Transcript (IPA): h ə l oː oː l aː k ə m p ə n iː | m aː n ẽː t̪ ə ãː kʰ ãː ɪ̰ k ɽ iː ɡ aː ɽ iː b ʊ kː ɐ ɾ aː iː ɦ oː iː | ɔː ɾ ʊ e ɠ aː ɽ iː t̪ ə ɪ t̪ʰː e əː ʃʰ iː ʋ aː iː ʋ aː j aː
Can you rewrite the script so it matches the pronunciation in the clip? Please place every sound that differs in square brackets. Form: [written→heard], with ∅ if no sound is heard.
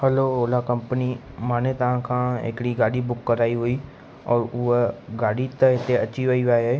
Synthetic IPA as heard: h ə l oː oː l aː k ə m p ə n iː | m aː n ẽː t̪ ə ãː kʰ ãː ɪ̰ k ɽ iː ɡ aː ɽ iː b ʊ kː [ɐ→ə] ɾ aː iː ɦ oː iː | ɔː ɾ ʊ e [ɠ→ɡ] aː ɽ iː t̪ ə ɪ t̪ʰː e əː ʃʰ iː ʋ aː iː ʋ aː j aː